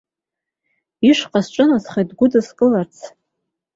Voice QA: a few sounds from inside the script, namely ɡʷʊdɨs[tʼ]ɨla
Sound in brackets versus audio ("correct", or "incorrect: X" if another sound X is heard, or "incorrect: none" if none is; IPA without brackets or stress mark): incorrect: kʼ